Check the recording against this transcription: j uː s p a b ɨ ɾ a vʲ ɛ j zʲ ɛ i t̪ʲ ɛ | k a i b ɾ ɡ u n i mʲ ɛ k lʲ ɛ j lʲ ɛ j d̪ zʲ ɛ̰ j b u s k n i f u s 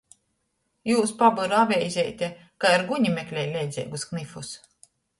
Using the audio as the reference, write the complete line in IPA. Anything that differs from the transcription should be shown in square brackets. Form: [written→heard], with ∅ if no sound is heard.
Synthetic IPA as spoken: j uː s p a b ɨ ɾ a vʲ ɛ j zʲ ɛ [i→j] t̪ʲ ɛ | k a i [b→∅] ɾ ɡ u [n→ɲ] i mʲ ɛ k lʲ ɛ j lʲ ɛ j d̪ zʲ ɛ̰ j [b→ɡ] u s k n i f u s

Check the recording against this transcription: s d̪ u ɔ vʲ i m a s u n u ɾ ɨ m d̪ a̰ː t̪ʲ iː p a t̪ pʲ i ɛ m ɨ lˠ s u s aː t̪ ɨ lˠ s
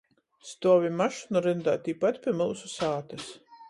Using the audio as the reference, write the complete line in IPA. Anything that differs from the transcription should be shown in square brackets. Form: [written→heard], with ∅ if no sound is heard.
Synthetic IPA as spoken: s [d̪→t̪] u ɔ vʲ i m a [s→ʃ] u n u ɾ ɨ [m→n] d̪ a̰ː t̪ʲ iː p a t̪ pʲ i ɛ m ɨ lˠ s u s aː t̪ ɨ [lˠ→∅] s

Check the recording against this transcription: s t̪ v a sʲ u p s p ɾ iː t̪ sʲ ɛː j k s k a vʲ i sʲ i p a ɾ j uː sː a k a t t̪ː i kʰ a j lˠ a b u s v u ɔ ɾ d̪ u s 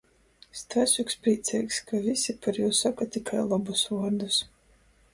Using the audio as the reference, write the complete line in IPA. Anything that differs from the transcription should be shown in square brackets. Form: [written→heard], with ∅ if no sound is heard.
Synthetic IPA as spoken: s t̪ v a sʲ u [p→k] s p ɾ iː t̪ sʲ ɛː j k s k a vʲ i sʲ i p a ɾ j uː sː a k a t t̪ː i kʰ a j lˠ a b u s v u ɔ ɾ d̪ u s

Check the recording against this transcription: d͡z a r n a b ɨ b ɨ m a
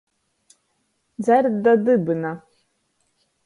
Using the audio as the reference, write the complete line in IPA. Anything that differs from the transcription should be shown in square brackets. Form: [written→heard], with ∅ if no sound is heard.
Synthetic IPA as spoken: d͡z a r [n→d] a [b→d] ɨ b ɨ [m→n] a

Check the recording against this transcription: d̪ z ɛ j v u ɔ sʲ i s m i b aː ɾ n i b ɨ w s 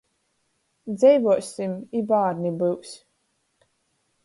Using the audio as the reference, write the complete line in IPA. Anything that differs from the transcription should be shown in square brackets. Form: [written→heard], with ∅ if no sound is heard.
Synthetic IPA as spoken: d̪ z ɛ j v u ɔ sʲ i [s→∅] m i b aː ɾ n i b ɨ w s

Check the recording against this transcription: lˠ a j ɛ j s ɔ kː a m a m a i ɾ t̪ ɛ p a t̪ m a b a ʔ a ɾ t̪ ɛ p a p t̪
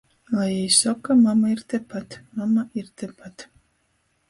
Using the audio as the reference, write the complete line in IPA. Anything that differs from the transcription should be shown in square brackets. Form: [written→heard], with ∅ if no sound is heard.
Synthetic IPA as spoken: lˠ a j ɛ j s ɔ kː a m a m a i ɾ t̪ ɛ p a t̪ m a [b→m] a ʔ [a→i] ɾ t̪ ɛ p a [p→∅] t̪

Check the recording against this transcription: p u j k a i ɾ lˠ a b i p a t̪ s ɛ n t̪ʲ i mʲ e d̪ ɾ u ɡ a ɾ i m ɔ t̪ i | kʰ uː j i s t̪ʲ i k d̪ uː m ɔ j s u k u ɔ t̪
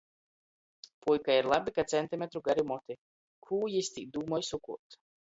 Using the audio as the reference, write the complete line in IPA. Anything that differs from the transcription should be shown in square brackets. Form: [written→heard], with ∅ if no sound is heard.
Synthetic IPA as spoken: p u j k a i ɾ lˠ a b i [p→k] a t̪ s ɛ n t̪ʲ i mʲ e [d̪→t̪] ɾ u ɡ a ɾ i m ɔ t̪ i | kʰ uː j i s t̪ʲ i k d̪ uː m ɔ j s u k u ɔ t̪

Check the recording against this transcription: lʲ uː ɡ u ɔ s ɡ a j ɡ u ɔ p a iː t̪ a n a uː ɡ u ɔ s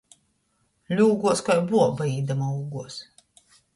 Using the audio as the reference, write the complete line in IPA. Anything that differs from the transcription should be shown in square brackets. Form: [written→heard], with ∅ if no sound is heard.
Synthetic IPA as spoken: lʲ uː ɡ u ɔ s [ɡ→k] a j [ɡ→b] u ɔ [p→b] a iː [t̪→d̪] a [n→m] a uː ɡ u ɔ s

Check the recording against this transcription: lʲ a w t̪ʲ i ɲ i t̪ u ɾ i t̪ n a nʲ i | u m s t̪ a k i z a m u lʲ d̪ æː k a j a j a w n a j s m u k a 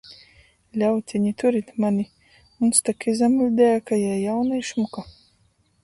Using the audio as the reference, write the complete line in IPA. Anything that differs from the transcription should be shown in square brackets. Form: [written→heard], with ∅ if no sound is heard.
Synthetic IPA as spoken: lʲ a w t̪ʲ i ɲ i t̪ u ɾ i t̪ [n→m] a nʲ i | u [m→n] s t̪ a k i z a m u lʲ d̪ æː k a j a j a w n a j [s→ʃ] m u k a

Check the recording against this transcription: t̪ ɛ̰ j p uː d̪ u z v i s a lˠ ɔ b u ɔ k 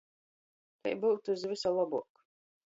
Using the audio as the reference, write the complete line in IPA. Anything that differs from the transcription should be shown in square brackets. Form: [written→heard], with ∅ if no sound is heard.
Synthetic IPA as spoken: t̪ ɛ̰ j [p→b] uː [d̪→t̪] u z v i s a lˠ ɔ b u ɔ k

